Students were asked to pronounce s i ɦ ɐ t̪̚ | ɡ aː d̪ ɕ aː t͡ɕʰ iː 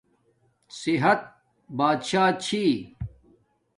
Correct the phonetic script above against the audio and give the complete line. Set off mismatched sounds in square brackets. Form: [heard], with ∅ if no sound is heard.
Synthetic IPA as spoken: s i ɦ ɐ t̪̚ | [b] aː d̪ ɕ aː t͡ɕʰ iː

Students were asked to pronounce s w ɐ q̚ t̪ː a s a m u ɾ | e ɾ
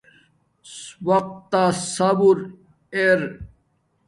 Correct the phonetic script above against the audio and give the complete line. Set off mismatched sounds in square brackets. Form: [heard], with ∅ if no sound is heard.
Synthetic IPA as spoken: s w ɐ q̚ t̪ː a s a [b] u ɾ | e ɾ

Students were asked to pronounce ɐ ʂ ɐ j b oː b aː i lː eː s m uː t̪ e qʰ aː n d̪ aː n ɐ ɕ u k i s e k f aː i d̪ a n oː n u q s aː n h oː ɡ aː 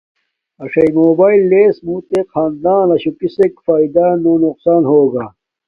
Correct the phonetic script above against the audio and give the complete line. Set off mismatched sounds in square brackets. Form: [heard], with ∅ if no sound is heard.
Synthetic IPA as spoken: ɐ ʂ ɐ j [m] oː b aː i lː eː s m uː t̪ e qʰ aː n d̪ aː n ɐ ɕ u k i s e k f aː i d̪ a n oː n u q s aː n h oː ɡ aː

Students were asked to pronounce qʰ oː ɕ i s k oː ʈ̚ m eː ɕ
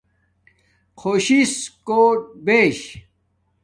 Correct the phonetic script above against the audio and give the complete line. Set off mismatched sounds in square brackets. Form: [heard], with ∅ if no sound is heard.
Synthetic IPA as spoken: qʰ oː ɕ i s k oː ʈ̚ [b] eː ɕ

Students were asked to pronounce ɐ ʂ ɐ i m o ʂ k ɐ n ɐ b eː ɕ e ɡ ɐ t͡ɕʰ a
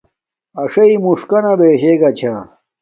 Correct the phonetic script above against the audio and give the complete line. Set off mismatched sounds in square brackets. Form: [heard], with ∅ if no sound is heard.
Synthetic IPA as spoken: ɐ ʂ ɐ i m [u] ʂ k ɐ n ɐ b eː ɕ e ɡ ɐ t͡ɕʰ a

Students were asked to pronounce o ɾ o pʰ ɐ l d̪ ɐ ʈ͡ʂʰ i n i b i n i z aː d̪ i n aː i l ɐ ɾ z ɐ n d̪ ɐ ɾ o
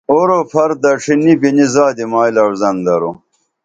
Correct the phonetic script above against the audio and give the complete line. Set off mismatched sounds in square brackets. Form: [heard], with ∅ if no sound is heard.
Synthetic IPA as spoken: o ɾ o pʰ ɐ [ɾ] d̪ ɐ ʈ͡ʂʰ i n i b i n i z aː d̪ i [m] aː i l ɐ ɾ z ɐ n d̪ ɐ ɾ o

